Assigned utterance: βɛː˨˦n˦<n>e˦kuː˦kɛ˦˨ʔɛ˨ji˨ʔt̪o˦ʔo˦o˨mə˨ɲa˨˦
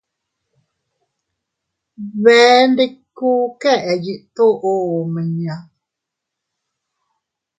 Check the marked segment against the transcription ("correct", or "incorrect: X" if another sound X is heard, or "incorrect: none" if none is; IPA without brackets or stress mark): incorrect: d